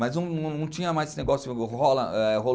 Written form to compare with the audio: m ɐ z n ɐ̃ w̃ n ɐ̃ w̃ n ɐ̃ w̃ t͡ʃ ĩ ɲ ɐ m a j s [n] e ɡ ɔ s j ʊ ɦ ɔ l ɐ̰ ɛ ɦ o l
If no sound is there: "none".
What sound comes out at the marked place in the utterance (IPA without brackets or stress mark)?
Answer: n